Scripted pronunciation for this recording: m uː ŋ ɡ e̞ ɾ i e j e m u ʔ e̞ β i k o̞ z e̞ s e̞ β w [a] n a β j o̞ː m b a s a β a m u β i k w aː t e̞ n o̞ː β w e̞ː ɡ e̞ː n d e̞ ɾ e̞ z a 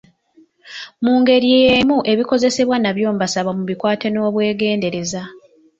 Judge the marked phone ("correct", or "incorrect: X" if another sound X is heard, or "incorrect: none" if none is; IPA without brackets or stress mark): correct